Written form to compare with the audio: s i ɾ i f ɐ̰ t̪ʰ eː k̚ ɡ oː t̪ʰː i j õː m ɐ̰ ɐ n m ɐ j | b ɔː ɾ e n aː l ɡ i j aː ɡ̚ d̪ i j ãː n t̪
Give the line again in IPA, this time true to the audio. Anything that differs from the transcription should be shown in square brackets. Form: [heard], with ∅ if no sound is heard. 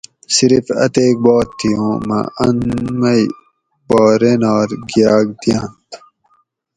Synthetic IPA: s i ɾ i f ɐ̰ [t̪] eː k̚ [b] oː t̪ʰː i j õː m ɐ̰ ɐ n m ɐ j | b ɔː ɾ e n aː [ɾ] ɡ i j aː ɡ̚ d̪ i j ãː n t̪

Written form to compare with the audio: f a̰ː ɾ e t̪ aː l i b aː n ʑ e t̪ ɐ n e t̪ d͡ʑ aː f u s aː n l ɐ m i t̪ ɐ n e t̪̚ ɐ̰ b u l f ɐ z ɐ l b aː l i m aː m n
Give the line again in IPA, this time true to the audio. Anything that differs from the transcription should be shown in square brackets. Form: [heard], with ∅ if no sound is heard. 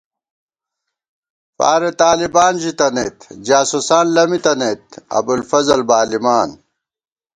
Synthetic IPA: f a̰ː ɾ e t̪ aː l i b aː n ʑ [i] t̪ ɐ n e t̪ d͡ʑ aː [s] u s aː n l ɐ m i t̪ ɐ n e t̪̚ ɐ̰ b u l f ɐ z ɐ l b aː l i m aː [∅] n

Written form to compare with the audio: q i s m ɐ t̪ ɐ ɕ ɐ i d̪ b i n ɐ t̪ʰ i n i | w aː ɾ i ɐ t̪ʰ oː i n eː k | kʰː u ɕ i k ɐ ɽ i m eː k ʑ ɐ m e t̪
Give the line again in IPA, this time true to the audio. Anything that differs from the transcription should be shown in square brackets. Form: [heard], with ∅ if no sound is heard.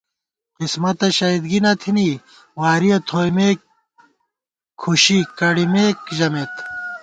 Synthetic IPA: q i s m ɐ t̪ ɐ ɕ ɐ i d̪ [ɡ] i n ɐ t̪ʰ i n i | w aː ɾ i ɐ t̪ʰ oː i [m] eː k | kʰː u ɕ i k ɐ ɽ i m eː k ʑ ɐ m e t̪

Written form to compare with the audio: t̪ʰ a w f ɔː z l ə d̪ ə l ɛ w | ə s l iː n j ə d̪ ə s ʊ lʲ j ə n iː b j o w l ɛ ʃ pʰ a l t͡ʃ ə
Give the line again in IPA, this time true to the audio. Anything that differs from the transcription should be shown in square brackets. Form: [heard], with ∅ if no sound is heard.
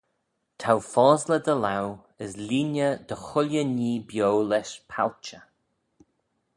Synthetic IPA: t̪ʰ a w f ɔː z l ə d̪ ə l [a] w | ə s l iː n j ə d̪ ə [x] ʊ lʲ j ə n iː b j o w l ɛ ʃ pʰ a l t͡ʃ ə

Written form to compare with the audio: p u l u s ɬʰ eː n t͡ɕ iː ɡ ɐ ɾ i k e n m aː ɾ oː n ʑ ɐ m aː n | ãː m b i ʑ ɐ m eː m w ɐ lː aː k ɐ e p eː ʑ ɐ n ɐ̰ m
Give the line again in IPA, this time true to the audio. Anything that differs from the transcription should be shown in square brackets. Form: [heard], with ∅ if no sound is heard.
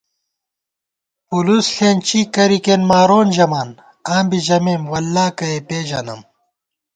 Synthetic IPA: p u l u s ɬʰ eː n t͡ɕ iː [k] ɐ ɾ i k e n m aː ɾ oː n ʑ ɐ m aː n | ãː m b i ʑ ɐ m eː m w ɐ lː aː k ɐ e p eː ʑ ɐ n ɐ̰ m

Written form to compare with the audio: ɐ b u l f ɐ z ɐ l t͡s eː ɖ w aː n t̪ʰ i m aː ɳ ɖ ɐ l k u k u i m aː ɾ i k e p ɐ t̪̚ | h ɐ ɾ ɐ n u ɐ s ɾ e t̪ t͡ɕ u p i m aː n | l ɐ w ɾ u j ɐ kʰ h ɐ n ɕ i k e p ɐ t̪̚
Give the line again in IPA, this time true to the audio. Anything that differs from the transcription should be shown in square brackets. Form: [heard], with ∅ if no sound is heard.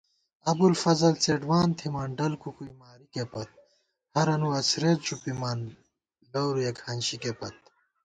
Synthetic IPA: ɐ b u l f ɐ z ɐ l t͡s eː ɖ w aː n t̪ʰ i m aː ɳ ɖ ɐ l k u k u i m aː ɾ i k e p ɐ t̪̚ | h ɐ ɾ ɐ n u ɐ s ɾ e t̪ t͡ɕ u p i m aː n | l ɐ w ɾ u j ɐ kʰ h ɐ n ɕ i k e p ɐ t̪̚

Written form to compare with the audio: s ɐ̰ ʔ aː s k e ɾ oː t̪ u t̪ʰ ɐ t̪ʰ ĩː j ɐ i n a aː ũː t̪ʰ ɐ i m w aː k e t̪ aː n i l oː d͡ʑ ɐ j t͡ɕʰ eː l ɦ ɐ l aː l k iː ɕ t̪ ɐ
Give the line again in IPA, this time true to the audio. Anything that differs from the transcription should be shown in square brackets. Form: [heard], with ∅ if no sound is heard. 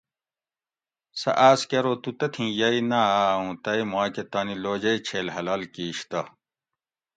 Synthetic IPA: s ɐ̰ ʔ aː s k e ɾ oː t̪ u [t̪] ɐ t̪ʰ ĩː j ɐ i n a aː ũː [t̪] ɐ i m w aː k e t̪ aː n i l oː d͡ʑ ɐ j t͡ɕʰ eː l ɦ ɐ l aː l k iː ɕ t̪ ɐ

